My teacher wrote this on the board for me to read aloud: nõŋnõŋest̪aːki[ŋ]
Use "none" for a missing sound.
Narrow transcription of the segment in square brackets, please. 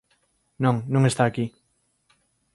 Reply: none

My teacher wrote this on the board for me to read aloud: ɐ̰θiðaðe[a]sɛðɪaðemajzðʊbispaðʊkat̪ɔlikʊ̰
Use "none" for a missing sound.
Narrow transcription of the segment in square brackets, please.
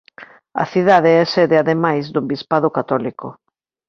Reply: ɛ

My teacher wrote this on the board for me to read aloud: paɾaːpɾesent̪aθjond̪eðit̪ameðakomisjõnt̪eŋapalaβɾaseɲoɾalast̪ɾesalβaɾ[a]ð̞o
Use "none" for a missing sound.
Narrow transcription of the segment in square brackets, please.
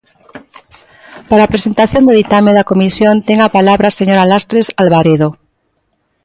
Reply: e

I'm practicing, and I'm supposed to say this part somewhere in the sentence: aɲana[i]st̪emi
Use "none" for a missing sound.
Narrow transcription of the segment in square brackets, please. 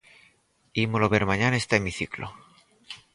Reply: e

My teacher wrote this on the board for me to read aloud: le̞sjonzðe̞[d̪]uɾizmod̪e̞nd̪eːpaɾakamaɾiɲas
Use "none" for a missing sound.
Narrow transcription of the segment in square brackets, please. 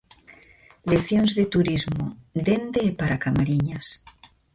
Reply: t̪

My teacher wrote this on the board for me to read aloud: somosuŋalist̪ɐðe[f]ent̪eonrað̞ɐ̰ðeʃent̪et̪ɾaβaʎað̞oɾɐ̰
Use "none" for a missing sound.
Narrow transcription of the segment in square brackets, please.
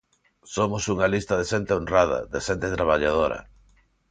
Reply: ʃ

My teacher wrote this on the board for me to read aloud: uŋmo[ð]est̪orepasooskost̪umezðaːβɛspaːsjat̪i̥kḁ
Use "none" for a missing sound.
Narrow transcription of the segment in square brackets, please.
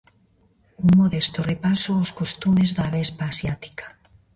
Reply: ð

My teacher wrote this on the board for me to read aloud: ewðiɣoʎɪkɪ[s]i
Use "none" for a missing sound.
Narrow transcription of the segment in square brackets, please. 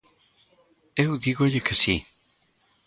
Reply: s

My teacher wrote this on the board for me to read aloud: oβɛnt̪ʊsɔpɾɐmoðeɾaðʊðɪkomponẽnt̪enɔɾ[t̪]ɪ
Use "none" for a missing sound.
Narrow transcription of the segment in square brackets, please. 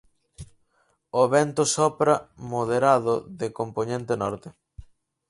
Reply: t̪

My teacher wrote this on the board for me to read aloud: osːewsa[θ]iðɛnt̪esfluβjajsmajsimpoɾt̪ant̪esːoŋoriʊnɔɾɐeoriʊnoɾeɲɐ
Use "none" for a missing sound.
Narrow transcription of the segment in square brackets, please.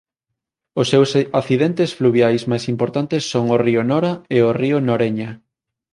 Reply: θ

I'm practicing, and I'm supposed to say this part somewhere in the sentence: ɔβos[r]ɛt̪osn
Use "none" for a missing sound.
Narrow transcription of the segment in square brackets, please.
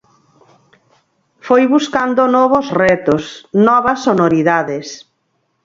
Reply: r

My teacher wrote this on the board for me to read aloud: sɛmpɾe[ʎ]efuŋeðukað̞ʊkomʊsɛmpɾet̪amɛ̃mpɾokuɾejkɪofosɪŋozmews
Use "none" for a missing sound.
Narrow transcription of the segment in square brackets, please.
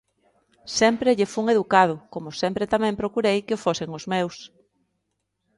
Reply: ʎ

